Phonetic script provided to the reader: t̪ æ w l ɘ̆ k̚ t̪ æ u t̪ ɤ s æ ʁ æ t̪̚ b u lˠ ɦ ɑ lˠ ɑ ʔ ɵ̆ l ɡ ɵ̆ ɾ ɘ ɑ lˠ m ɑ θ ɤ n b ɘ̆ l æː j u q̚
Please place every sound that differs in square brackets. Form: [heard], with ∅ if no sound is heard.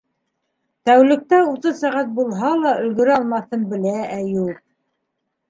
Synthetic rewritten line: t̪ æ w l ɘ̆ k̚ t̪ æ u t̪ ɤ s æ ʁ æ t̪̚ b u lˠ ɦ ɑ lˠ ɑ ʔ ɵ̆ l ɡ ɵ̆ ɾ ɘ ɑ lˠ m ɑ θ ɤ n b ɘ̆ l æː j u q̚

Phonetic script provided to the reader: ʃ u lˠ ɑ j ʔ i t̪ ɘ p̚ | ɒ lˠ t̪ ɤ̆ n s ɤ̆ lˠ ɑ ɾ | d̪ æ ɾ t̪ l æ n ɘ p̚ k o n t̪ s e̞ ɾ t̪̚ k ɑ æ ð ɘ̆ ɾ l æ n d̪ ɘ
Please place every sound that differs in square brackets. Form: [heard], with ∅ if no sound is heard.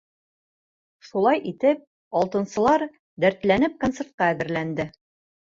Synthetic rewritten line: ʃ u lˠ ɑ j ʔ i t̪ ɘ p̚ | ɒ lˠ t̪ ɤ̆ n s ɤ̆ lˠ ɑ ɾ | d̪ æ ɾ t̪ l æ n ɘ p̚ k o n t̪ s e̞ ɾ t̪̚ [q] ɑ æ ð ɘ̆ ɾ l æ n d̪ ɘ

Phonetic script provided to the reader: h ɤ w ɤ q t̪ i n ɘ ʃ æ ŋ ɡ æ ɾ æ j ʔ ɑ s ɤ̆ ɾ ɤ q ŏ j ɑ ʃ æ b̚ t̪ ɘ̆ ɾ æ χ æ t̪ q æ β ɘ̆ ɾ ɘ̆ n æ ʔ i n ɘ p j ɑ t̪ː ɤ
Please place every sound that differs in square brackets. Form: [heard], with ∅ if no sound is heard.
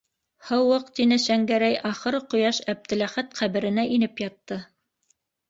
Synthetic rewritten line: h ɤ w ɤ q t̪ i n ɘ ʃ æ ŋ ɡ æ ɾ æ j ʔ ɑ [χ] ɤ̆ ɾ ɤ q ŏ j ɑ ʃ æ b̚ t̪ ɘ̆ [l] æ χ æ t̪ q æ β ɘ̆ ɾ ɘ̆ n æ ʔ i n ɘ p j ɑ t̪ː ɤ

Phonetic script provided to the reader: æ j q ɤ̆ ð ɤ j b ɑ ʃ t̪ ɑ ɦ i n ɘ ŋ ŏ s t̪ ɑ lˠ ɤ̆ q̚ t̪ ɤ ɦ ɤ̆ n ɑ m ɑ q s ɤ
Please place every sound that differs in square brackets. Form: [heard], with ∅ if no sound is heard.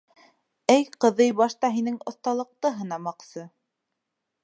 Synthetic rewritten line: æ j q ɤ̆ ð ɤ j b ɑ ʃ t̪ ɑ ɦ i n ɘ ŋ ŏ [θ] t̪ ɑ lˠ ɤ̆ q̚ t̪ ɤ ɦ ɤ̆ n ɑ m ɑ q s ɤ

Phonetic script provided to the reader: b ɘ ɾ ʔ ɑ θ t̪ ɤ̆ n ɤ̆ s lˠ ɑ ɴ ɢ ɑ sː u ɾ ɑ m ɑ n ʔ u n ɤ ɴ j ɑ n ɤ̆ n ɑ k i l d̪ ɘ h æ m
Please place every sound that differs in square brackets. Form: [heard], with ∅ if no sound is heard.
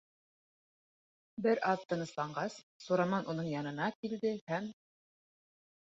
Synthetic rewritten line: b ɘ ɾ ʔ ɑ [ð] t̪ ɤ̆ n ɤ̆ s lˠ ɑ ɴ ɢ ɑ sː u ɾ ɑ m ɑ n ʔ u n ɤ ɴ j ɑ n ɤ̆ n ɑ k i l d̪ ɘ h æ m

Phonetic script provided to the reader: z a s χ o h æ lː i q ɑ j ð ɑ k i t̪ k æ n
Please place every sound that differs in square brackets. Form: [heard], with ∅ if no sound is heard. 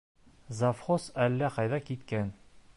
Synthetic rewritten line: z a [f] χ o [s] æ lː [æ] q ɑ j ð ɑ k i t̪ k æ n

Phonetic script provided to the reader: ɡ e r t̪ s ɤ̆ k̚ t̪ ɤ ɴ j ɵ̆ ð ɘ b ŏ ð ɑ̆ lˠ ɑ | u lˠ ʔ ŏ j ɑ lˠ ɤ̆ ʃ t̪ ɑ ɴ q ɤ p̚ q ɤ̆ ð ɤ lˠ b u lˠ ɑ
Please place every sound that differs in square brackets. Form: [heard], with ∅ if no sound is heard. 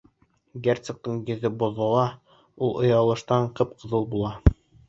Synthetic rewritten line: ɡ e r t̪ s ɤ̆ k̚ t̪ ɤ ɴ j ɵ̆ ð ɘ b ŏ ð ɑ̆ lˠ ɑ | u lˠ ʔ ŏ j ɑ lˠ ɤ̆ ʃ t̪ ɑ ɴ q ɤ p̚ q ɤ̆ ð ɤ lˠ b u lˠ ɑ

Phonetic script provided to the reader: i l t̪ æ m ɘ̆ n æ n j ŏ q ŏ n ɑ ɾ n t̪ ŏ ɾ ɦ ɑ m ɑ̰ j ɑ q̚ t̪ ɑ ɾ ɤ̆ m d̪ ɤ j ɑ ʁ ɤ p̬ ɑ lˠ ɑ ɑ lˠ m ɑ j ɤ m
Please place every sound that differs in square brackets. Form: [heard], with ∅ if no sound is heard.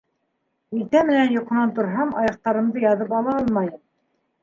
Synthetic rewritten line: i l t̪ æ m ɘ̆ n æ n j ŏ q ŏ n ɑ [∅] n t̪ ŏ ɾ ɦ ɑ m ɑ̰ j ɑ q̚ t̪ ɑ ɾ ɤ̆ m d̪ ɤ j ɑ [ð] ɤ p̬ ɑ lˠ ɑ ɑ lˠ m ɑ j ɤ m

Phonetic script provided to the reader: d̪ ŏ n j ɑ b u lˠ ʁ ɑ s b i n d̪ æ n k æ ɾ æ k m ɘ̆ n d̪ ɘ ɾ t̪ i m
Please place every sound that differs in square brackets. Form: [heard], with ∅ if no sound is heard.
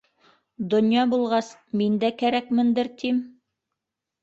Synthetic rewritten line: d̪ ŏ n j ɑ b u lˠ ʁ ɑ s [m] i n d̪ æ [∅] k æ ɾ æ k m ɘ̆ n d̪ ɘ ɾ t̪ i m

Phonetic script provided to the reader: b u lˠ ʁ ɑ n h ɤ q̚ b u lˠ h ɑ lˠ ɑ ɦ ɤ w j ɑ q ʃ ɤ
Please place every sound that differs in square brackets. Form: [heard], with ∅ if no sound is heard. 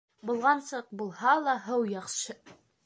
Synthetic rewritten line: b u lˠ ʁ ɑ n [s] ɤ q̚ b u lˠ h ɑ lˠ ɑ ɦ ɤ w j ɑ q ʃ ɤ

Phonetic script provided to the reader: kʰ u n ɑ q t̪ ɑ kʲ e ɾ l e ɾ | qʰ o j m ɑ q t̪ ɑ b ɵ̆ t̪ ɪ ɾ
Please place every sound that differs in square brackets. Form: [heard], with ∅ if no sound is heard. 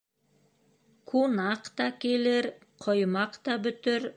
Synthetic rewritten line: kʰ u n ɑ q t̪ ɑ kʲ e [∅] l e ɾ | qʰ o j m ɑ q t̪ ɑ b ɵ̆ t̪ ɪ ɾ

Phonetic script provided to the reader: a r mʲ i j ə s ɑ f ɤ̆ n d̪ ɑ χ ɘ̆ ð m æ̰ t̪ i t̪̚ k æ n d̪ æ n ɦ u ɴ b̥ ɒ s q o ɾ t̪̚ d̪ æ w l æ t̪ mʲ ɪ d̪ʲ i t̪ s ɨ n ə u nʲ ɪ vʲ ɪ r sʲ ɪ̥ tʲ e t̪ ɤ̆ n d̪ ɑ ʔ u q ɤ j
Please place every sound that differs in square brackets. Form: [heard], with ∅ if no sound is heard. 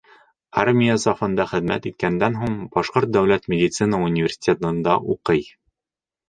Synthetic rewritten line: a r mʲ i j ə s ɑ f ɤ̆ n d̪ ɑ χ ɘ̆ ð m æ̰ t̪ i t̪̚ k æ n d̪ æ n ɦ u ɴ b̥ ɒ [ʃ] q o ɾ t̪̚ d̪ æ w l æ t̪ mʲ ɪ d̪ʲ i t̪ s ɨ n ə u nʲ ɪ vʲ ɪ r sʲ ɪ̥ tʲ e t̪ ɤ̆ n d̪ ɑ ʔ u q ɤ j

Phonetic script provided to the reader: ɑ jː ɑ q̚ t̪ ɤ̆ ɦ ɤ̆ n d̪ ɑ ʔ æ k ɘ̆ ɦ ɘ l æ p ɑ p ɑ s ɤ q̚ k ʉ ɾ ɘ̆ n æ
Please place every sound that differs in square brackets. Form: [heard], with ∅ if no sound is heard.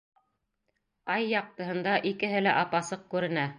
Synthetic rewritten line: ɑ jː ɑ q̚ t̪ ɤ̆ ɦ ɤ̆ n d̪ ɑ ʔ [i] k ɘ̆ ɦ ɘ l æ [ʔ] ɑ p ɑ s ɤ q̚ k ʉ ɾ ɘ̆ n æ

